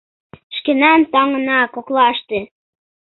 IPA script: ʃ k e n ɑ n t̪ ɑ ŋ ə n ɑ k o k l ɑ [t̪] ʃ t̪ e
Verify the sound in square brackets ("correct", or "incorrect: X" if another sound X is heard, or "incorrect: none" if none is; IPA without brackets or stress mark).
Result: incorrect: none